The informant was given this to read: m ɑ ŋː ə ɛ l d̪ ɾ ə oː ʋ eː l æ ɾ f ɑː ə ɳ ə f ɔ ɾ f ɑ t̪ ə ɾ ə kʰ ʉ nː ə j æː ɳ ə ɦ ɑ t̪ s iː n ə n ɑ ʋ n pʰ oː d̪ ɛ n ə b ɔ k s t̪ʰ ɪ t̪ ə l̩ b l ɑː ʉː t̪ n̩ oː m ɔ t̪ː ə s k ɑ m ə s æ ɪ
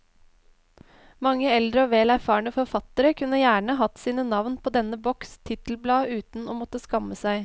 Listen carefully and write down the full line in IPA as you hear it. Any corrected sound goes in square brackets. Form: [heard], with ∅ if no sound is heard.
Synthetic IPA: m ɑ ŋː ə ɛ l d̪ ɾ ə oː ʋ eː l æ ɾ f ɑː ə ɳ ə f ɔ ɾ f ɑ t̪ ə ɾ ə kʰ ʉ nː ə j æː ɳ ə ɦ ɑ t̪ s iː n ə n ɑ ʋ n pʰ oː d̪ ɛ n ə b ɔ k s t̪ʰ ɪ t̪ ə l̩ b l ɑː ʉː t̪ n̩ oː m ɔ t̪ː ə s k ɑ m ə s æ ɪ